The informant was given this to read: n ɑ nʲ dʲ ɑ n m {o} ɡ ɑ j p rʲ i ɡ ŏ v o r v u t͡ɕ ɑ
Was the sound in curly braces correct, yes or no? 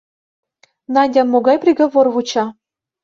yes